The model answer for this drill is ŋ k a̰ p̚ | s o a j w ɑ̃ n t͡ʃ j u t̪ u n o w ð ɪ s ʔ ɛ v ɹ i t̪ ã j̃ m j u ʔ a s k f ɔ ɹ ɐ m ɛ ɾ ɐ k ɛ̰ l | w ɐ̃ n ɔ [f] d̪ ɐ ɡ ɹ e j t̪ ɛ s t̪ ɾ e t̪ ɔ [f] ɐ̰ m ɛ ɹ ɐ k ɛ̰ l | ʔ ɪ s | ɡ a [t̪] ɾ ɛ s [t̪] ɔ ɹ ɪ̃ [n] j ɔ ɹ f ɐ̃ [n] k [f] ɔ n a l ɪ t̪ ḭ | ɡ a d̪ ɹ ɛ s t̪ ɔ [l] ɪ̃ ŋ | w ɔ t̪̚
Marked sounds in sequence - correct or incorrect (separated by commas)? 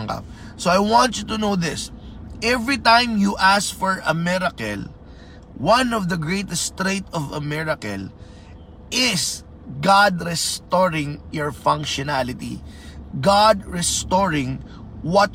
incorrect, incorrect, incorrect, correct, incorrect, incorrect, incorrect, incorrect